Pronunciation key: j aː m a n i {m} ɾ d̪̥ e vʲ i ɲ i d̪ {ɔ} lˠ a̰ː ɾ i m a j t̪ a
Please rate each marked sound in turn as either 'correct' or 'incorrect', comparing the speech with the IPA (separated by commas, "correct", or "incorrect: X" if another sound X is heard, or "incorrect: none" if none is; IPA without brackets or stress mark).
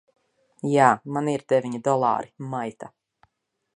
incorrect: none, correct